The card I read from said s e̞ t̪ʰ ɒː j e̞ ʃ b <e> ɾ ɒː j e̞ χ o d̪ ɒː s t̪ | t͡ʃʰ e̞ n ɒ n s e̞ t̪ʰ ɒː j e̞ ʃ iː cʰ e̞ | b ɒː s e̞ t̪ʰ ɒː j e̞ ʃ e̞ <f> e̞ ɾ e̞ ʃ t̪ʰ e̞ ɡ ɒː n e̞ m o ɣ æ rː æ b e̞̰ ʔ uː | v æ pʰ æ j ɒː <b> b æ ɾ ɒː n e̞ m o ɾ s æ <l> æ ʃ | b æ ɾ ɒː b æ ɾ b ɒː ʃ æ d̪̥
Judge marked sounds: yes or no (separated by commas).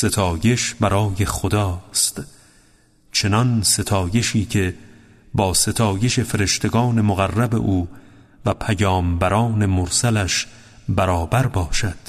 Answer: no, yes, no, yes